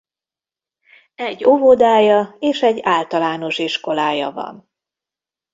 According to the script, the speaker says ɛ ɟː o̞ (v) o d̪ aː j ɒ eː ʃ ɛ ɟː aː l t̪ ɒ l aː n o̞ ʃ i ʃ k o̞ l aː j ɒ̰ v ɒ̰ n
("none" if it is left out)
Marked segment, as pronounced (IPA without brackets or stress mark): v